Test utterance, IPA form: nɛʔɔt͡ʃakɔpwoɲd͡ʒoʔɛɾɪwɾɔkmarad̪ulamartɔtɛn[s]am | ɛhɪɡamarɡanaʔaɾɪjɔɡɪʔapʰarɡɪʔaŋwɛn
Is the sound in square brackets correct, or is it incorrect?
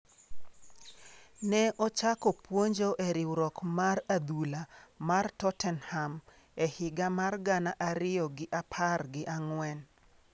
incorrect